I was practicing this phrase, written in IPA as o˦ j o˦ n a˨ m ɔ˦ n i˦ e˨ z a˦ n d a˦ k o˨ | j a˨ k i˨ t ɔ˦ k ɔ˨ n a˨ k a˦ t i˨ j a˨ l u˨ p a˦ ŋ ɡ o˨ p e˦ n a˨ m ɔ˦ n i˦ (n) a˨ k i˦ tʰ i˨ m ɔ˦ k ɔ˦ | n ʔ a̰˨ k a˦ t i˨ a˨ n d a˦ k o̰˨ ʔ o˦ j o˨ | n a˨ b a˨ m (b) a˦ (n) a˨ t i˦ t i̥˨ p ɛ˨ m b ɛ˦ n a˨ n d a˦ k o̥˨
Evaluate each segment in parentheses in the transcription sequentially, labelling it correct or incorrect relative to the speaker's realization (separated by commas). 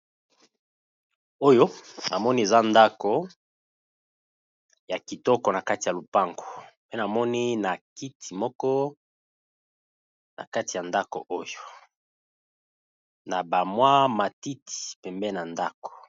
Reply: correct, incorrect, incorrect